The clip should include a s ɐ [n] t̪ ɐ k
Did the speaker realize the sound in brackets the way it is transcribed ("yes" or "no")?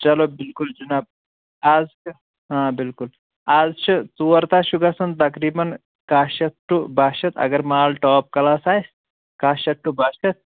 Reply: yes